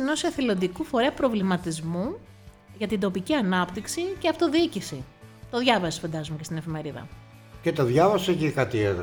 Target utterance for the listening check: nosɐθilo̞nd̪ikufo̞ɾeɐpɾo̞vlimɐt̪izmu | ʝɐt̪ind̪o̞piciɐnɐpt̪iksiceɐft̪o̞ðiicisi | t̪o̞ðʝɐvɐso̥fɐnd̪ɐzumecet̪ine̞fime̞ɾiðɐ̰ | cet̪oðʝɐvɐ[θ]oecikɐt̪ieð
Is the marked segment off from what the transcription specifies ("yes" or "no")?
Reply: yes